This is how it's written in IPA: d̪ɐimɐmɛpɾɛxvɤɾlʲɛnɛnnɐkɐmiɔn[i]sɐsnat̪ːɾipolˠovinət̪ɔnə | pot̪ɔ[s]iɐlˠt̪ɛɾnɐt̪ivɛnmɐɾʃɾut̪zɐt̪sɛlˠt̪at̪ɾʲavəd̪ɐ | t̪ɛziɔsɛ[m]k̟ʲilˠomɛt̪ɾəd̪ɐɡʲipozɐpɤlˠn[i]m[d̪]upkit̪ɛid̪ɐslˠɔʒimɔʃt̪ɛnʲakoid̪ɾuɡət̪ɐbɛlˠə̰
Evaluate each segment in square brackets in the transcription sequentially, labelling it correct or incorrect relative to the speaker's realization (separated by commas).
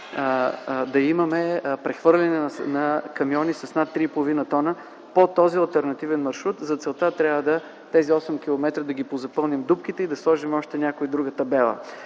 correct, incorrect, correct, correct, correct